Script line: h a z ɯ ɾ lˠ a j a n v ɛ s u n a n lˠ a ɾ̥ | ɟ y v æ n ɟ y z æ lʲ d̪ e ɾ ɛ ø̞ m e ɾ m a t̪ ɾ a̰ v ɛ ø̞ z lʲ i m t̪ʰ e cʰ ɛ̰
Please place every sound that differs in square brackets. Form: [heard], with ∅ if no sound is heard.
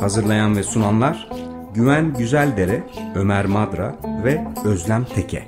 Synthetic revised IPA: h a z ɯ ɾ lˠ a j a n v ɛ s u n a n lˠ a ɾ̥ | ɟ y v æ n ɟ y z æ lʲ d̪ e ɾ ɛ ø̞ m [æ] ɾ m a [d̪] ɾ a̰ v ɛ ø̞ z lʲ [æ] m t̪ʰ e cʰ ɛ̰